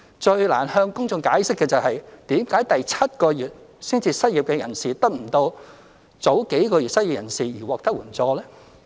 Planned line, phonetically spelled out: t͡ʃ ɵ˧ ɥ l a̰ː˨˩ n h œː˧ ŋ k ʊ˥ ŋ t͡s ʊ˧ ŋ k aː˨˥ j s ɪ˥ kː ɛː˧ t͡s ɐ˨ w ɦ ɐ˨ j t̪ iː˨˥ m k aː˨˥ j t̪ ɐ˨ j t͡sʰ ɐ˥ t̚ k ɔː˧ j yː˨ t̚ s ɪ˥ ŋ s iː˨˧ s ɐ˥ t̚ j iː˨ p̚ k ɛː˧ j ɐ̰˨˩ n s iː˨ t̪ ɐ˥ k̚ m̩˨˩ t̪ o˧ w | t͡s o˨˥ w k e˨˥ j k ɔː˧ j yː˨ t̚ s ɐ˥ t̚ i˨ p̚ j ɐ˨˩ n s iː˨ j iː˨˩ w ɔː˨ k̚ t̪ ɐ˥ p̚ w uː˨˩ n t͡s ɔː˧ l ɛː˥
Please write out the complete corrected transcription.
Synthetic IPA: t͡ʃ ɵ˧ ɥ l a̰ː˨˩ n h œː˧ ŋ k ʊ˥ ŋ t͡s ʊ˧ ŋ k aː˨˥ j s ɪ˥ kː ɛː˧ t͡s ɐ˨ w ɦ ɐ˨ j t̪ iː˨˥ m k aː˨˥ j t̪ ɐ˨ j t͡sʰ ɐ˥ t̚ k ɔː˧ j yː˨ t̚ s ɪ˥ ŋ t͡s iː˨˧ s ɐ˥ t̚ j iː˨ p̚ k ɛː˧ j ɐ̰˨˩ n s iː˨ t̪ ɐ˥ k̚ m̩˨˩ t̪ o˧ w | t͡s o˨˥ w k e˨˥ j k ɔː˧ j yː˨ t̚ s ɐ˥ t̚ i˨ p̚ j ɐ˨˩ n s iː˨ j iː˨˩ w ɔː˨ k̚ t̪ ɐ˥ k̚ w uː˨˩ n t͡s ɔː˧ l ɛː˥